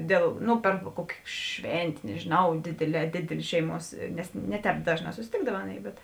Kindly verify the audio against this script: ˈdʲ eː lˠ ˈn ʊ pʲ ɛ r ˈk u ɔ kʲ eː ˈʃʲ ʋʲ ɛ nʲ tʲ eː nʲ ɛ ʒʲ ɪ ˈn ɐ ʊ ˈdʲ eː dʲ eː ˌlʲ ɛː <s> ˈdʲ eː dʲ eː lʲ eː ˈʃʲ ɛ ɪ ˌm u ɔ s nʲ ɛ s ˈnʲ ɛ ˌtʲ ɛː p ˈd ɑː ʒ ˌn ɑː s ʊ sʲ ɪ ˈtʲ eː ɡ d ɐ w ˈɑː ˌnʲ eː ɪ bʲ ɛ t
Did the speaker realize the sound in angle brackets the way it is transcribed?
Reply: no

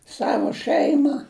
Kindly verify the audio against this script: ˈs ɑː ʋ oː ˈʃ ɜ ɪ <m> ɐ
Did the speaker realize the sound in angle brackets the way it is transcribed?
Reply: yes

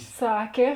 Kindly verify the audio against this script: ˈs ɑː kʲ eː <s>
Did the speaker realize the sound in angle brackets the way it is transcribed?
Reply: no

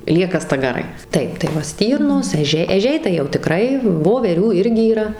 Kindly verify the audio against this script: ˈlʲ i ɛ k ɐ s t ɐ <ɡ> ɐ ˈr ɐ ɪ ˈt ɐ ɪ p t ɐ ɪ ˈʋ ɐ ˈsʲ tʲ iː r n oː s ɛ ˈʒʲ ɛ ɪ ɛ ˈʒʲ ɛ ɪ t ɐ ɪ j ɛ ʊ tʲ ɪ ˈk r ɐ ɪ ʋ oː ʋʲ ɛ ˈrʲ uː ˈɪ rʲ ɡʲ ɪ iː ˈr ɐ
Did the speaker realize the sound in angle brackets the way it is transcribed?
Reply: yes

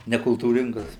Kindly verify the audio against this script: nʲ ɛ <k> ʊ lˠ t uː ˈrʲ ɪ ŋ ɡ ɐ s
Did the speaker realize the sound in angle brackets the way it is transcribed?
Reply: yes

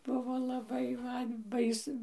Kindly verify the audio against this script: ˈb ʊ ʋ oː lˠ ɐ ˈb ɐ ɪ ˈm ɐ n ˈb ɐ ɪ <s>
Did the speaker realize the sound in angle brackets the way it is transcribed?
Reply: yes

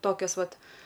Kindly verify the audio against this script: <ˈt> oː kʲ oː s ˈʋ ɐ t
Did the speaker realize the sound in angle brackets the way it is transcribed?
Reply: yes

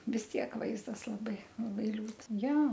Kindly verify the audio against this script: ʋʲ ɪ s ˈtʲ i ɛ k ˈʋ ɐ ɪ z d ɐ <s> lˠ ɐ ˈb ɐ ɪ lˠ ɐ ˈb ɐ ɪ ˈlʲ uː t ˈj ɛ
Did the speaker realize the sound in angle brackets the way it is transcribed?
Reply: yes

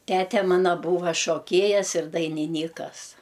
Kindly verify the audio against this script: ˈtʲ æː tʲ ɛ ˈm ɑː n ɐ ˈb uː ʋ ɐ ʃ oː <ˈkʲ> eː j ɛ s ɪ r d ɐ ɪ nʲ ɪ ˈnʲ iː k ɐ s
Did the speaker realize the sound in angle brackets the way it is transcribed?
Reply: yes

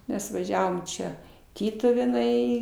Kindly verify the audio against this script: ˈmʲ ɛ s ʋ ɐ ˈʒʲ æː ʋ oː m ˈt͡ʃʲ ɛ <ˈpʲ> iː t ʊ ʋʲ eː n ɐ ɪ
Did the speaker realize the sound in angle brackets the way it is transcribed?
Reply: no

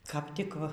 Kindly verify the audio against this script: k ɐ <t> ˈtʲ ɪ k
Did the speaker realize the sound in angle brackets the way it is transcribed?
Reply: no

